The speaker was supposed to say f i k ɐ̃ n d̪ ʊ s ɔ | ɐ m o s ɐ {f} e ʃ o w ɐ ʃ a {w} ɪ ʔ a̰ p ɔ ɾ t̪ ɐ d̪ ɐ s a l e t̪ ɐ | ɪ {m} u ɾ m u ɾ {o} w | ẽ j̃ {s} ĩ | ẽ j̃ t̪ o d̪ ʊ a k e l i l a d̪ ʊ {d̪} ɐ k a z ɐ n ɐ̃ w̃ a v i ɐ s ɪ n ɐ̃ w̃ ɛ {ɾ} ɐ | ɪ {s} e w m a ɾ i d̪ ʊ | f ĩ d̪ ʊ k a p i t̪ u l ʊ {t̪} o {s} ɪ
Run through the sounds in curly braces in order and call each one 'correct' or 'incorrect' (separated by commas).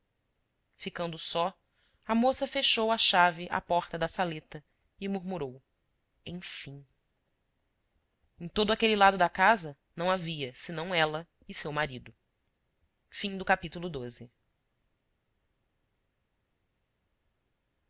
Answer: correct, incorrect, correct, correct, incorrect, correct, incorrect, correct, incorrect, incorrect